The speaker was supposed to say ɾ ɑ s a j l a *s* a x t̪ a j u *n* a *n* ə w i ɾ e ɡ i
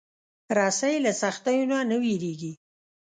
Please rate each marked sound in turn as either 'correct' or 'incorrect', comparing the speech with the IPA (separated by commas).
correct, correct, correct